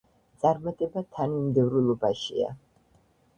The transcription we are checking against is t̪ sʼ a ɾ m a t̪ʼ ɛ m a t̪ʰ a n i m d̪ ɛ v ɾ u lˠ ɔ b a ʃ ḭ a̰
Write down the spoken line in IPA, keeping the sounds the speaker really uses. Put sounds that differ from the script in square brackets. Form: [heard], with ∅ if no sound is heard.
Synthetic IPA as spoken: t̪ sʼ a ɾ m a t̪ʼ ɛ [b] a t̪ʰ a n i m d̪ ɛ v ɾ u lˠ ɔ b a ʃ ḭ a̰